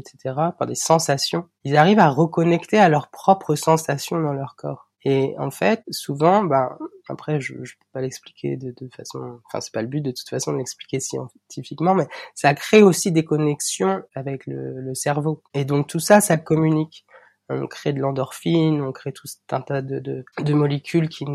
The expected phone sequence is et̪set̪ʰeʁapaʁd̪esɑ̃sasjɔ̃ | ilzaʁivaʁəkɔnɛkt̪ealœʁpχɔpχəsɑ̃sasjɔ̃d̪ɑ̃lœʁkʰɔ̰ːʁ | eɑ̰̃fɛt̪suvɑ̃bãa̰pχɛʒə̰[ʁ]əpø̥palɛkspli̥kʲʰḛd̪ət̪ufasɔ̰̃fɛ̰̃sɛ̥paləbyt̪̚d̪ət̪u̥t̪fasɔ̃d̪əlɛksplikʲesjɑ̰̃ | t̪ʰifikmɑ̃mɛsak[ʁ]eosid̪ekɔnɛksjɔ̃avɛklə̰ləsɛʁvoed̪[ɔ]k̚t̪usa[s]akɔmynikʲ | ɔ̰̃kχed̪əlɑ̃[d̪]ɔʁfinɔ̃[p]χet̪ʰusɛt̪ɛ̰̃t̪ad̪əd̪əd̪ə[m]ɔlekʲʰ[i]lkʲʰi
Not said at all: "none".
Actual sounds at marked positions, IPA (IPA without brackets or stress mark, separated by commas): ʒ, χ, ɔ̃, s, d̪, k, m, y